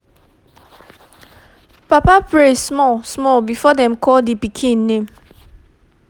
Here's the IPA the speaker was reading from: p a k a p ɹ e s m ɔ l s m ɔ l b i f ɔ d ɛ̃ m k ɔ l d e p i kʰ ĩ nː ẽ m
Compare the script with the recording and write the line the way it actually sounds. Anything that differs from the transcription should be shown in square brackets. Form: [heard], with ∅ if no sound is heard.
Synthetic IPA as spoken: p a [p] a p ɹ e s m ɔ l s m ɔ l b i f ɔ d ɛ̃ m k ɔ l d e p i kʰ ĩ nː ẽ m

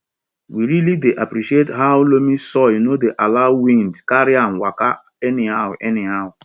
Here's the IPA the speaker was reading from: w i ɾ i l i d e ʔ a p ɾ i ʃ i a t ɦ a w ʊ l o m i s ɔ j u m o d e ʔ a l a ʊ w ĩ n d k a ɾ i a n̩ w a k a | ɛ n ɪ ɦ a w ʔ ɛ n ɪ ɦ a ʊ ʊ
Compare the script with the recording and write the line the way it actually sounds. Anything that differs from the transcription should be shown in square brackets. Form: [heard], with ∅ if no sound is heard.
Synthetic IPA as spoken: w i ɾ i l i d e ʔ a p ɾ i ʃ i [e] t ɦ a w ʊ l o m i s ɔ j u [n] o d e ʔ a l a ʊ w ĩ n d k a ɾ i a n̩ w a k a | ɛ n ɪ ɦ a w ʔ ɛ n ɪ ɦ a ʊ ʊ

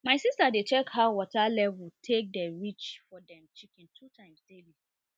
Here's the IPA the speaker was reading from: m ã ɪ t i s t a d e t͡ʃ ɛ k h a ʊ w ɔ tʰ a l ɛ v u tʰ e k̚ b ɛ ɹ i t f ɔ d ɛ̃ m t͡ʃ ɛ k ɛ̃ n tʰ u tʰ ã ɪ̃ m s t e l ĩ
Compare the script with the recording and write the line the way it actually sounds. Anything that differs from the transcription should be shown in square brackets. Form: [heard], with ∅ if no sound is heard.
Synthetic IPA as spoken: m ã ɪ [s] i s t a d e t͡ʃ ɛ k h a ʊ w ɔ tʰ a l ɛ v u tʰ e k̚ [d] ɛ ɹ i [t͡ʃ] f ɔ d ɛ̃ m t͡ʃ [i] k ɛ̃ n tʰ u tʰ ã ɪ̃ m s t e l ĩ

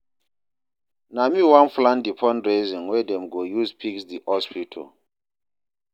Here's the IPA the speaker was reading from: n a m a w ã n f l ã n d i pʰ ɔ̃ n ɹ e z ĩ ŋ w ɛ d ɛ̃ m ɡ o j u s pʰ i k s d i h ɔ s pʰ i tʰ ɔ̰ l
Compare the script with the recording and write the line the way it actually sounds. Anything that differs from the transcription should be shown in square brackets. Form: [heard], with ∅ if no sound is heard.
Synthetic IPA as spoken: n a m [i] w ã n f l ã n d i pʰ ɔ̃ n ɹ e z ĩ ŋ w ɛ d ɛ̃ m ɡ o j u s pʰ i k s d i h ɔ s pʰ i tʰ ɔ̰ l

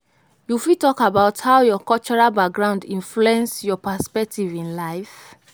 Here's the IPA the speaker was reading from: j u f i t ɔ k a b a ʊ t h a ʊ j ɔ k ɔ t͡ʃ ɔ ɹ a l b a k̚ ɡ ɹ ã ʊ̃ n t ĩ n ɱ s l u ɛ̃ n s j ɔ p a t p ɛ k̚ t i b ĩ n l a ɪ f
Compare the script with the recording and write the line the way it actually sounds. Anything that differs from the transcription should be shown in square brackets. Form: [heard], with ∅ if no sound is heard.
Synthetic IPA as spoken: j u f i t ɔ k a b a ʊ t h a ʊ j ɔ k ɔ t͡ʃ ɔ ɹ a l b a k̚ ɡ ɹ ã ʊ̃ n [d] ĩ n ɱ [f] l u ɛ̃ n s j ɔ p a [s] p ɛ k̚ t i [v] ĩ n l a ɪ f

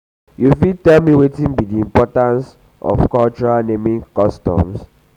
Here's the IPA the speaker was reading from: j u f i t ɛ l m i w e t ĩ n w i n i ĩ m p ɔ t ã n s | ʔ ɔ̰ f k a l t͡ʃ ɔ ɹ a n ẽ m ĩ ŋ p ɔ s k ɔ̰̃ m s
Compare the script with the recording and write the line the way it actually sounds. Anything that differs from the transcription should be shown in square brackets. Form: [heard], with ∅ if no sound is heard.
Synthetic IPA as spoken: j u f i t ɛ l m i w e t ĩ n [b] i [d] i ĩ m p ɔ t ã n s | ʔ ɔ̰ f k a l t͡ʃ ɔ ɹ a n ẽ m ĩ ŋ [k] ɔ s [t] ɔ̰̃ m s

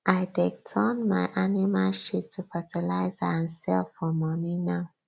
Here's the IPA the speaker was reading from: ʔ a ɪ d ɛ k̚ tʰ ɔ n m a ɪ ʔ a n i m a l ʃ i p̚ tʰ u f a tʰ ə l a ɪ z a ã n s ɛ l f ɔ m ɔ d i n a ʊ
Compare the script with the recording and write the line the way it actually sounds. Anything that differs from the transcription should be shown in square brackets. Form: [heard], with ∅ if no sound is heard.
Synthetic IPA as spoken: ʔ a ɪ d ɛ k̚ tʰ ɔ n m a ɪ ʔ a n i m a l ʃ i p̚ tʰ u f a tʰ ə l a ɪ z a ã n s ɛ l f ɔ m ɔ [n] i n a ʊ

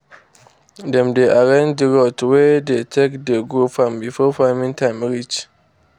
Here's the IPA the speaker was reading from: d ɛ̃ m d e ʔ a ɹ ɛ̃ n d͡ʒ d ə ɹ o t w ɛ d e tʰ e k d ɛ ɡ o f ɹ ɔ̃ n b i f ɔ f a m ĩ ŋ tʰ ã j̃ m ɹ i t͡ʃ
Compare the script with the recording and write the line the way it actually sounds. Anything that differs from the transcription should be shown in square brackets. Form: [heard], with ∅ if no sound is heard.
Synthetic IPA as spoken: d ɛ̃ m d e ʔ a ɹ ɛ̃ n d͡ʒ d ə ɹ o t w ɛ d e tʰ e k d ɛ ɡ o f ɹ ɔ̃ [m] b i f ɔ f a m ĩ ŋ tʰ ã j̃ m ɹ i t͡ʃ

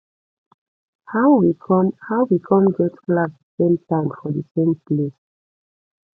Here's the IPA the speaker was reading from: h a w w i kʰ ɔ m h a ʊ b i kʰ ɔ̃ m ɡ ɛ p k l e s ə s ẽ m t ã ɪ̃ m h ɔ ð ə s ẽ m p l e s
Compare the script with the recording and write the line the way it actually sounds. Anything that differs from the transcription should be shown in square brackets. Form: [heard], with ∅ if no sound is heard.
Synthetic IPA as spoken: h a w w i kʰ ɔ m h a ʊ [w] i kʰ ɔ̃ m ɡ ɛ [t] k l [a] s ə s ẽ m t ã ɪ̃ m [f] ɔ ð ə s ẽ m p l e s

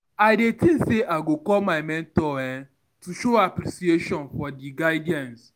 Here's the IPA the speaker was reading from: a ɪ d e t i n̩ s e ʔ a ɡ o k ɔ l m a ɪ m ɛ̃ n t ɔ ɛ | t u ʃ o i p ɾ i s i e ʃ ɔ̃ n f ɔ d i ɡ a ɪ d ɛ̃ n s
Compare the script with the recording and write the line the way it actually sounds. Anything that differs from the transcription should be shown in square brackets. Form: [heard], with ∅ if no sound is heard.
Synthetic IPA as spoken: a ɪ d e t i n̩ s e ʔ a ɡ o k ɔ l m a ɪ m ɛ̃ n t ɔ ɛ | t u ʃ o [a] p ɾ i s i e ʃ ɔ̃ n f ɔ d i ɡ a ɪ d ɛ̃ n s

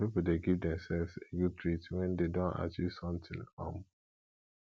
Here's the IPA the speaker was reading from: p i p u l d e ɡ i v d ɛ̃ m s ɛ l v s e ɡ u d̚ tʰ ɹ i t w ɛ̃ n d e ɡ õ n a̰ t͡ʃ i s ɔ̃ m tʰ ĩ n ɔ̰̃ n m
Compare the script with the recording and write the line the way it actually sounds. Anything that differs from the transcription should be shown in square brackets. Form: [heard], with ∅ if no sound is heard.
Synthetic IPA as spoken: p i p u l d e ɡ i v d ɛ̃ m s ɛ l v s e ɡ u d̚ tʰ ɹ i t w ɛ̃ n d e [d] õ n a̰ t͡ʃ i s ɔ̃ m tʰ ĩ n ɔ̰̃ [∅] m

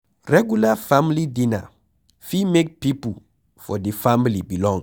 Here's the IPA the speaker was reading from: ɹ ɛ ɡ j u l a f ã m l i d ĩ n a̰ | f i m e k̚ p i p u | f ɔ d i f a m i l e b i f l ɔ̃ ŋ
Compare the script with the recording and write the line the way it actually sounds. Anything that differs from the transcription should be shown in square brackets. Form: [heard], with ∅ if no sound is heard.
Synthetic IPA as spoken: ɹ ɛ ɡ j u l a f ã m l i d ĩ n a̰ | f i m e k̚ p i p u | f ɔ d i f a m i l [i] b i [∅] l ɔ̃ ŋ

